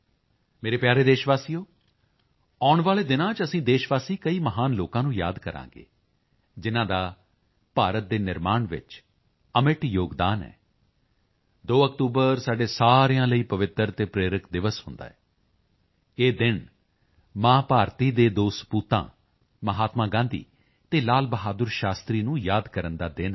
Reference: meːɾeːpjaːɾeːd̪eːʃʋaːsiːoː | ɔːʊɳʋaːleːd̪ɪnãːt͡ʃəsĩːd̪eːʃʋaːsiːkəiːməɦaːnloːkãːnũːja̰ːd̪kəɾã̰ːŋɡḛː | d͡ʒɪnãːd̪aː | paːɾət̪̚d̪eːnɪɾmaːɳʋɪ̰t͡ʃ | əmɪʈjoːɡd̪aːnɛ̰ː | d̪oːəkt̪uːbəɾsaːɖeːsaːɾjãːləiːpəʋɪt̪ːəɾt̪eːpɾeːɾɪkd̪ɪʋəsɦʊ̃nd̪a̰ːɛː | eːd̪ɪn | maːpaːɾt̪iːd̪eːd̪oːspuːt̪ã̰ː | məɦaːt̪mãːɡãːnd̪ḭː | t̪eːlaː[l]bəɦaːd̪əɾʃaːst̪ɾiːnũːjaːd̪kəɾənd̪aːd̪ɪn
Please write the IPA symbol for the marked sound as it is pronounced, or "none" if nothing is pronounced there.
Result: l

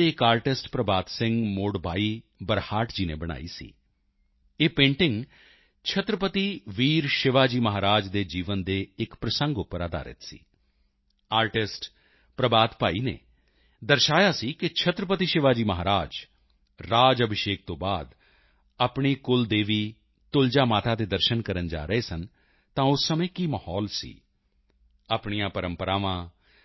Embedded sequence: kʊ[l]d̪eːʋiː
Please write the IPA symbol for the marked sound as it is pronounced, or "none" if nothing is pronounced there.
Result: l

